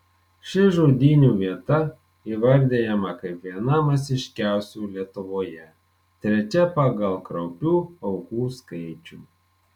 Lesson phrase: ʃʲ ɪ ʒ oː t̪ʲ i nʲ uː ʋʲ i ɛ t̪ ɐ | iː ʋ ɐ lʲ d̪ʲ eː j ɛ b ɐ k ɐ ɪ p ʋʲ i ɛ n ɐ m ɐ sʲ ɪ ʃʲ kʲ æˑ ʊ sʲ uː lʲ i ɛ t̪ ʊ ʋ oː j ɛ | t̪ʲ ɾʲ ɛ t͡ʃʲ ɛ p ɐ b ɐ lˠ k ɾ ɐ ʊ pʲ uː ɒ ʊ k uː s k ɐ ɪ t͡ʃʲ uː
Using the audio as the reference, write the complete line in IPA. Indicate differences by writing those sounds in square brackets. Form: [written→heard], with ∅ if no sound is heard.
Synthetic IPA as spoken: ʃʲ ɪ ʒ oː [t̪ʲ→d̪ʲ] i nʲ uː ʋʲ i ɛ t̪ ɐ | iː ʋ ɐ [lʲ→ɾʲ] d̪ʲ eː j ɛ [b→m] ɐ k ɐ ɪ p ʋʲ i ɛ n ɐ m ɐ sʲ ɪ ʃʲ kʲ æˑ ʊ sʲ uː lʲ i ɛ t̪ ʊ ʋ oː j ɛ | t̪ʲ ɾʲ ɛ t͡ʃʲ ɛ p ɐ [b→ɡ] ɐ lˠ k ɾ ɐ ʊ pʲ uː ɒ ʊ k uː s k ɐ ɪ t͡ʃʲ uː